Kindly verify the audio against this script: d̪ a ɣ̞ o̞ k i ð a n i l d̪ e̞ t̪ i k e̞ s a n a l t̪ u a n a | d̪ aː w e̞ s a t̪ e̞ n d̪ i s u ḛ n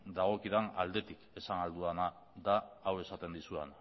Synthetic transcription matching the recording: d̪ a ɣ̞ o̞ k i ð a n a l d̪ e̞ t̪ i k e̞ s a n a l d̪ u a n a | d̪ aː w e̞ s a t̪ e̞ n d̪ i s u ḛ n